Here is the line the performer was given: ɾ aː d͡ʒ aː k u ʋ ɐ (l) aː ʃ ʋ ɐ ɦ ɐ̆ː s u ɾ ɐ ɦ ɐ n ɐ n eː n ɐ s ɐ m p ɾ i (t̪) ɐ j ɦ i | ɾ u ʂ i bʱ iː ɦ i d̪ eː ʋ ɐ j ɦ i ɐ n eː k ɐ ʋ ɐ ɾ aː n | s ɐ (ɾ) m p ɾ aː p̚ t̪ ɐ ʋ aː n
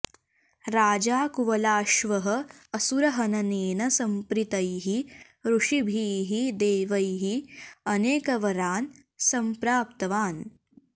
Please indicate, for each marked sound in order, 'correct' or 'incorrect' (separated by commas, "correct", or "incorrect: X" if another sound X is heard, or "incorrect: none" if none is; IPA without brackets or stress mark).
correct, correct, incorrect: none